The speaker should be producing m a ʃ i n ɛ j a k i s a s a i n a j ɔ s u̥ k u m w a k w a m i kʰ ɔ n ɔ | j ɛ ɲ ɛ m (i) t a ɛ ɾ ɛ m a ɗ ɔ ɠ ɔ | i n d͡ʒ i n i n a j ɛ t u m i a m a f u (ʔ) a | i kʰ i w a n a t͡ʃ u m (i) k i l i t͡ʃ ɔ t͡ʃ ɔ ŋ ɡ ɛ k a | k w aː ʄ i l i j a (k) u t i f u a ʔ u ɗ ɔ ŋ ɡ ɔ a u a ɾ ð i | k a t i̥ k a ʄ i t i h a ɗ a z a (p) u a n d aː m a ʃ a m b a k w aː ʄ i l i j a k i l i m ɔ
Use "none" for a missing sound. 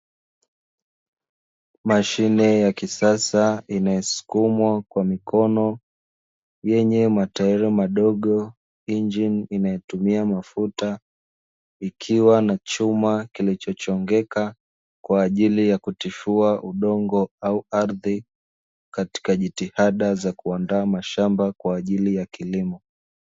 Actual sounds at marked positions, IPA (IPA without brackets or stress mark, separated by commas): a, t, a, k, k